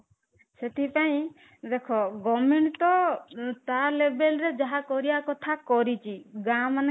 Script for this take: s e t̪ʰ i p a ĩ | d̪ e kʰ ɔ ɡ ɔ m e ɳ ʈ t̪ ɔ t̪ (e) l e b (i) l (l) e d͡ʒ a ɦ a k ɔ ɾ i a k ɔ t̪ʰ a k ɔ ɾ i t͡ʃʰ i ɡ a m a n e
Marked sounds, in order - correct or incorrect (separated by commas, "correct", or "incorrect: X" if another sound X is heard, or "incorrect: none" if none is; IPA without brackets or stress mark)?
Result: incorrect: a, incorrect: e, incorrect: ɾ